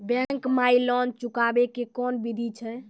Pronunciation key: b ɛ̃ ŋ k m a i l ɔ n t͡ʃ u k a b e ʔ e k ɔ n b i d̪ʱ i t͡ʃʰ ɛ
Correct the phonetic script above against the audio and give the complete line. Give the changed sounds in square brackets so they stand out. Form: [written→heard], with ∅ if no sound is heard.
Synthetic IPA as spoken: b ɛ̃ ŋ k m a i l ɔ n t͡ʃ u k a b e [ʔ→k] e k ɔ n b i d̪ʱ i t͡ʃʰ ɛ